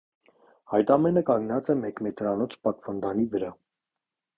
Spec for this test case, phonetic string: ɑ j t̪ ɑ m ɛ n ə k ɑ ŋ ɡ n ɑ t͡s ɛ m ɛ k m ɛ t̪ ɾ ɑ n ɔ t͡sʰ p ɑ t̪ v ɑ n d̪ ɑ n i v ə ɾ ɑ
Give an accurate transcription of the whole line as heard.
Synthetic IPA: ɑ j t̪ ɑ m ɛ n ə k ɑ ŋ ɡ n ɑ t͡s ɛ m ɛ k m ɛ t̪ ɾ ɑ n ɔ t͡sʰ p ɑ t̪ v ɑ n d̪ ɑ n i v ə ɾ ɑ